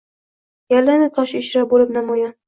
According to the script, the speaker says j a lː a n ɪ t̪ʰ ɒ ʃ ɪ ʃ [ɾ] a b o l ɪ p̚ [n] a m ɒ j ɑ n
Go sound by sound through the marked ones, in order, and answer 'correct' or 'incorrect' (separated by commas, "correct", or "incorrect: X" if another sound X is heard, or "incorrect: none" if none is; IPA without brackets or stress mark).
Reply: correct, correct